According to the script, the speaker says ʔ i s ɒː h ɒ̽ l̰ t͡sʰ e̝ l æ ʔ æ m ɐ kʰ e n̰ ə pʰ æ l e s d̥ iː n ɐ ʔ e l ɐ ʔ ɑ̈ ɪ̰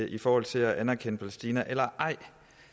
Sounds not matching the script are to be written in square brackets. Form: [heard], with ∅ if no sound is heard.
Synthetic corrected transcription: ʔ i [f] ɒː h ɒ̽ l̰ t͡sʰ e̝ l æ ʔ æ [n] ɐ kʰ e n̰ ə pʰ æ l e s d̥ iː n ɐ ʔ e l ɐ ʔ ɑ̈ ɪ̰